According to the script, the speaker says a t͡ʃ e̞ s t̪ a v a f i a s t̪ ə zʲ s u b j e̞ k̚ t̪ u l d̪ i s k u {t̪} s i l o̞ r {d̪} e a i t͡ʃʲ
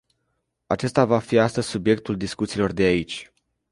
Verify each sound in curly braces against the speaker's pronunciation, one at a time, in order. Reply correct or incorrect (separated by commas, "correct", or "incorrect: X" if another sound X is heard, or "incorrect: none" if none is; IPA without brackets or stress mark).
correct, correct